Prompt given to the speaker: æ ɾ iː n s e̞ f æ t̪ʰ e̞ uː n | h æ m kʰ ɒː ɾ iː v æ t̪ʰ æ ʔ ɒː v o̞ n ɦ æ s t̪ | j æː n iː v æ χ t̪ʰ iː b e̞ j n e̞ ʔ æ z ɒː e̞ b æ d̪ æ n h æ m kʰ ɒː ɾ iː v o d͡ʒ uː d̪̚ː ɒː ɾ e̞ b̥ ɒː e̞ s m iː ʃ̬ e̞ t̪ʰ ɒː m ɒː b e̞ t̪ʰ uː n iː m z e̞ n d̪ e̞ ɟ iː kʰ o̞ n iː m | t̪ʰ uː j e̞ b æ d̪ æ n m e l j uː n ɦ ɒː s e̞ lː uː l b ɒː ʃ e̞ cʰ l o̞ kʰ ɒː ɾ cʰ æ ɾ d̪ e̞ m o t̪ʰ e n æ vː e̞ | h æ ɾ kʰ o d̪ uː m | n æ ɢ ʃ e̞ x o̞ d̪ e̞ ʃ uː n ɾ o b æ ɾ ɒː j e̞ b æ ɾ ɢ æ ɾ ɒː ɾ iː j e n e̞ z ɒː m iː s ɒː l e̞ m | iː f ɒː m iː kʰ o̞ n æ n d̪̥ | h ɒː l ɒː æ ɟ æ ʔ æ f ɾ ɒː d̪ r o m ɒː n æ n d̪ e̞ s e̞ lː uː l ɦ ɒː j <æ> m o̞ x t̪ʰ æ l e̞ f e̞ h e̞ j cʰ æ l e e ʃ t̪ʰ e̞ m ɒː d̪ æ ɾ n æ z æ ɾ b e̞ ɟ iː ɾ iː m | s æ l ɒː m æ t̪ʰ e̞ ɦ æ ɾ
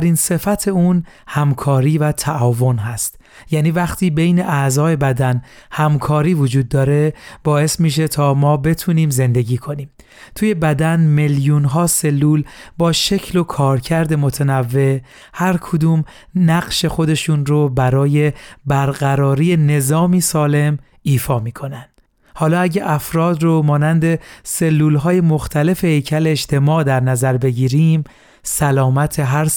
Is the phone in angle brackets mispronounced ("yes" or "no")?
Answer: yes